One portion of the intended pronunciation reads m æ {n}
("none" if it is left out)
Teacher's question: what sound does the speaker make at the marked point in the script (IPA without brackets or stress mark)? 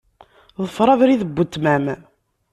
m